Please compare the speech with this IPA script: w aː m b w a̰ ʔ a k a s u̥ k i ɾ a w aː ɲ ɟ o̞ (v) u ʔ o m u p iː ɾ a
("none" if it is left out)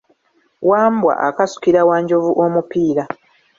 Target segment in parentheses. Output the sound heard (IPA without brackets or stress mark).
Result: v